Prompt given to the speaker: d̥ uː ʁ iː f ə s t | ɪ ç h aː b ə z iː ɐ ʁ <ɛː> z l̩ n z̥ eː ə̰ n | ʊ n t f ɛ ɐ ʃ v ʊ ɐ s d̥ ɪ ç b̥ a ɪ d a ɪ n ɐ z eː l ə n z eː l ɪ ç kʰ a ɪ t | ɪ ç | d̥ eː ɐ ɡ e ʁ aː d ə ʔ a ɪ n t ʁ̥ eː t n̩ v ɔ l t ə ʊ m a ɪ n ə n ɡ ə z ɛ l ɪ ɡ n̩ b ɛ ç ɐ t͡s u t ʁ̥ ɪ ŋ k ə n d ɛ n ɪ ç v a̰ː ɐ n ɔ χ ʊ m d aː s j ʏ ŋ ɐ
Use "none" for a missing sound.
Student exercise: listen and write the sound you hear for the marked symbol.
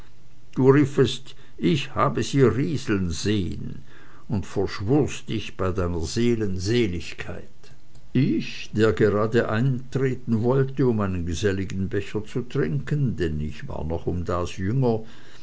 iː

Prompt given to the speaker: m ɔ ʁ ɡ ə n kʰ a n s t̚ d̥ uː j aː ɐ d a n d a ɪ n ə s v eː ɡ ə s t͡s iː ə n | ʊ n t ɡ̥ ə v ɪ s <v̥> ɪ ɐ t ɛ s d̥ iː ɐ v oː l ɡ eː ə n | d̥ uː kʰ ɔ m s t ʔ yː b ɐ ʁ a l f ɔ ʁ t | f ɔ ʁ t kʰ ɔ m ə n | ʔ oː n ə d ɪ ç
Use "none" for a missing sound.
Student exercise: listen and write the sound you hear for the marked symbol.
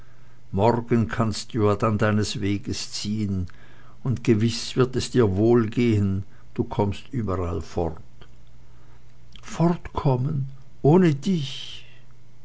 v̥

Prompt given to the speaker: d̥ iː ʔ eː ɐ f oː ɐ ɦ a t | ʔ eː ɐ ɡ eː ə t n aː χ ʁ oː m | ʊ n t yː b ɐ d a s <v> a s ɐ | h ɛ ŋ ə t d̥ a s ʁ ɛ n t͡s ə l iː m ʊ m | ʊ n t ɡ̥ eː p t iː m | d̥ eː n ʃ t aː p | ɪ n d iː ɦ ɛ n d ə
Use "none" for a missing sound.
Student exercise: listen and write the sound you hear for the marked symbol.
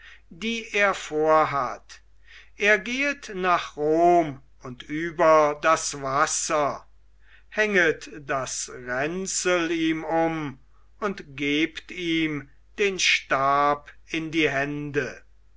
v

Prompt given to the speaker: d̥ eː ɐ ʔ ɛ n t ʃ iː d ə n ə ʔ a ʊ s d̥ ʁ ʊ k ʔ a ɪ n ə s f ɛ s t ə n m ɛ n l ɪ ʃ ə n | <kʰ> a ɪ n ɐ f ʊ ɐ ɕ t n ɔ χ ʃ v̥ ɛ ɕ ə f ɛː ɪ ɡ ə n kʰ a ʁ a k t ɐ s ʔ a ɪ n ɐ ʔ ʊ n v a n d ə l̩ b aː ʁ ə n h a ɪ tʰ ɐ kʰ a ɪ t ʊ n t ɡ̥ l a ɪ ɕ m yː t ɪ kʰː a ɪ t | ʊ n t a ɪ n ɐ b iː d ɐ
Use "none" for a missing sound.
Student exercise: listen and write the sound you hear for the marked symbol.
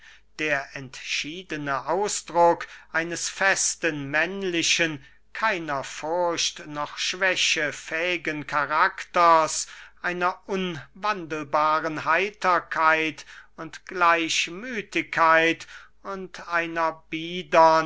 kʰ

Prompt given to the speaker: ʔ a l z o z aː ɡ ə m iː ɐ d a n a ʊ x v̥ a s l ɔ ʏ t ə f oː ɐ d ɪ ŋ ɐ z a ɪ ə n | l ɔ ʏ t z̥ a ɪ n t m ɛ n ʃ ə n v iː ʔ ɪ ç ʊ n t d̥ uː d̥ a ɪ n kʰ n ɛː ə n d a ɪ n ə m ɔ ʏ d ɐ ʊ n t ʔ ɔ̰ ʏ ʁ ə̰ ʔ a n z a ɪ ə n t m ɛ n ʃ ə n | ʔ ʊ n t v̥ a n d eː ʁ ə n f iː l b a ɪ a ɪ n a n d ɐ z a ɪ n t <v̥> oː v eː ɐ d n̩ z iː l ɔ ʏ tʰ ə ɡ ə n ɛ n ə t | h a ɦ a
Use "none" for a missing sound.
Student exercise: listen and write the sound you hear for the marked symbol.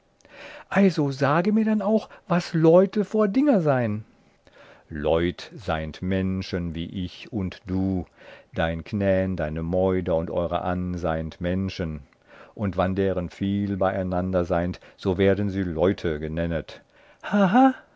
z̥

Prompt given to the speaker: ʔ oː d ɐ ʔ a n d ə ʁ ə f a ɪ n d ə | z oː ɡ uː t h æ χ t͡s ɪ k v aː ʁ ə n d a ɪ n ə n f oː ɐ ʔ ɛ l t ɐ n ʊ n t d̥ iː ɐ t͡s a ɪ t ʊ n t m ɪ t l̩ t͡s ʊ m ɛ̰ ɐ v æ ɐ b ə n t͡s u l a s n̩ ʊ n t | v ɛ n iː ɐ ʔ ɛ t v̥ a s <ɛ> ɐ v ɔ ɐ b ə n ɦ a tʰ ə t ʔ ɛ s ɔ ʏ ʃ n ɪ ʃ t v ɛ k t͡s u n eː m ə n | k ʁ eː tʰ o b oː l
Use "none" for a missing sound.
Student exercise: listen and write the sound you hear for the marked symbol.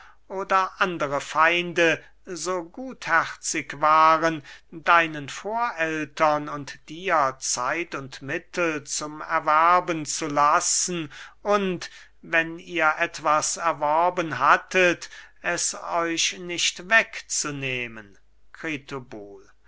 ɛ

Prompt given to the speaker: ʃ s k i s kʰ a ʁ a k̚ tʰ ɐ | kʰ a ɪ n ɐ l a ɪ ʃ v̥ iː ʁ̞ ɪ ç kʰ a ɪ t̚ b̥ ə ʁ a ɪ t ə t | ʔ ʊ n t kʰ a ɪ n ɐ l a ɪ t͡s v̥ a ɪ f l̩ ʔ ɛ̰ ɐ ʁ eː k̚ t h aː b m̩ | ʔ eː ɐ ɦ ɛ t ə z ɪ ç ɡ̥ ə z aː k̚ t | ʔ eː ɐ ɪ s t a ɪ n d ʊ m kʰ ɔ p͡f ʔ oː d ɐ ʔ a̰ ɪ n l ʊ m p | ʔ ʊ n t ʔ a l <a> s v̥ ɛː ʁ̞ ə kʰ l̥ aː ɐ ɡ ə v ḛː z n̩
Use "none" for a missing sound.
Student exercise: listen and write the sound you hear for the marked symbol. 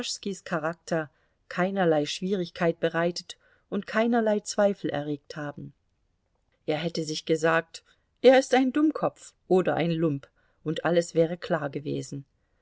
ə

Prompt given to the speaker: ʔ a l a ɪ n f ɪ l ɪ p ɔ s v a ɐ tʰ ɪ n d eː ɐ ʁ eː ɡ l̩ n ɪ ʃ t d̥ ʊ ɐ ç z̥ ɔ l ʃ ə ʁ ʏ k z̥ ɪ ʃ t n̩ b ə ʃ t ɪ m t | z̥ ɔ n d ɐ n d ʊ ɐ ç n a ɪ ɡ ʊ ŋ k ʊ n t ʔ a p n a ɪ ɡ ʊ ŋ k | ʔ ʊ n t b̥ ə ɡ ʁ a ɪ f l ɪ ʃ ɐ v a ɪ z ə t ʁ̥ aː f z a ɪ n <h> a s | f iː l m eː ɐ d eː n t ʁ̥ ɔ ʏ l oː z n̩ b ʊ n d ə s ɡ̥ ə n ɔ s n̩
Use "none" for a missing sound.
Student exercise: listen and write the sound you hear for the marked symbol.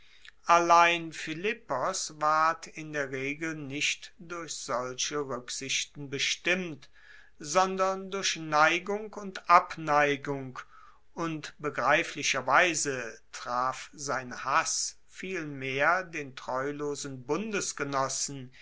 h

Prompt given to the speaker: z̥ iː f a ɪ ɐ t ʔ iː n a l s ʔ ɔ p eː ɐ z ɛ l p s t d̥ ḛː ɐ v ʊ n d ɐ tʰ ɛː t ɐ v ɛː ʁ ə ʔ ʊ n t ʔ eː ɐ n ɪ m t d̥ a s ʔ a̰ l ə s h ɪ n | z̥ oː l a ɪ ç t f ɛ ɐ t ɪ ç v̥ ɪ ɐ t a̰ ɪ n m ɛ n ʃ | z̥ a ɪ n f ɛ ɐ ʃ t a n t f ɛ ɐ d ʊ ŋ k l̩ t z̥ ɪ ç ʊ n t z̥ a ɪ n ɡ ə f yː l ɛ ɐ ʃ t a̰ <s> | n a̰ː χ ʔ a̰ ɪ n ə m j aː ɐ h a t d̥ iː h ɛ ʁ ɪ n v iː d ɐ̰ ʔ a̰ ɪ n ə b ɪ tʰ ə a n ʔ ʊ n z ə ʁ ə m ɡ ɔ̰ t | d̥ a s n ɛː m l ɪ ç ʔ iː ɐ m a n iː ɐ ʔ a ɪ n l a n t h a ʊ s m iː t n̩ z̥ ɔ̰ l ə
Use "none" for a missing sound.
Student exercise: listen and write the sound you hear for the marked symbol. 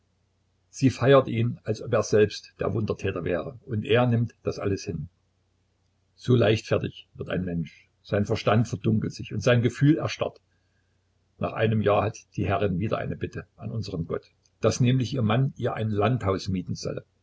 t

